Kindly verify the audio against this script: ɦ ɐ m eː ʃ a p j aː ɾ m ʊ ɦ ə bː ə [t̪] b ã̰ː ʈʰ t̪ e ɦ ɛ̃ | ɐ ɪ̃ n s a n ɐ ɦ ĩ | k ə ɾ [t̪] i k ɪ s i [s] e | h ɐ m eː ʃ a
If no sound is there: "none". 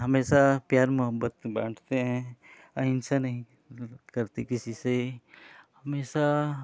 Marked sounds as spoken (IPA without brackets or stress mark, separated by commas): t̪, t̪, s